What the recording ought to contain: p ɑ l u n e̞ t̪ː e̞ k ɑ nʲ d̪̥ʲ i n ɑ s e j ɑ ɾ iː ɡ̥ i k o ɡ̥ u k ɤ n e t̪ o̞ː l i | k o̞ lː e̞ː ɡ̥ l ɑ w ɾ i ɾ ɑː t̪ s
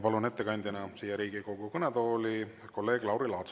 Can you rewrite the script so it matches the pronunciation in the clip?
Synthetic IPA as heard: p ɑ l u n e̞ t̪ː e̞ k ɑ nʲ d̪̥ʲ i n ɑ s i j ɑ ɾ iː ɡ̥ i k o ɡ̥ u k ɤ n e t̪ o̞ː l i | k o̞ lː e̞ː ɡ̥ l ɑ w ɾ i l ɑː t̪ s